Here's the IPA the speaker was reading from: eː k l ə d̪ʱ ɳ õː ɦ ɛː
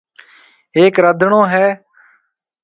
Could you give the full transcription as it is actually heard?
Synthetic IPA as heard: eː k ɾ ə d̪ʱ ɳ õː ɦ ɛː